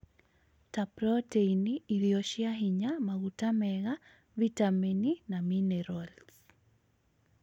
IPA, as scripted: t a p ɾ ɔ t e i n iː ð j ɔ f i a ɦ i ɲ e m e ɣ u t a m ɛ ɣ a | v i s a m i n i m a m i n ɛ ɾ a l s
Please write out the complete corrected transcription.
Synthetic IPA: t a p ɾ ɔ t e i n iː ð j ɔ ʃ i a ɦ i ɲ a m a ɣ u t a m ɛ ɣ a | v i t a m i n i n a m i n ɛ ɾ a l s